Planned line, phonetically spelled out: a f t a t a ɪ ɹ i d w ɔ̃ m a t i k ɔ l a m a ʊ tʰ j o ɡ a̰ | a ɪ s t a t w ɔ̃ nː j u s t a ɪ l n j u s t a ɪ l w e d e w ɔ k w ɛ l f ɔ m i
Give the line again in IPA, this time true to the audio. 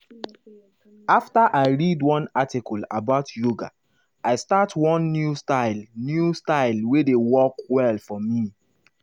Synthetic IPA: a f t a ʔ a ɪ ɹ i d w ɔ̃ n a t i k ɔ l a b a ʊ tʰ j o ɡ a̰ | a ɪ s t a t w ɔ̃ nː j u s t a ɪ l n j u s t a ɪ l w e d e w ɔ k w ɛ l f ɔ m i